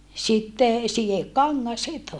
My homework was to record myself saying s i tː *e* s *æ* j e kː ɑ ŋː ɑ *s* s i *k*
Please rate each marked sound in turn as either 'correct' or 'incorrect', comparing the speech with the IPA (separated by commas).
correct, incorrect, correct, incorrect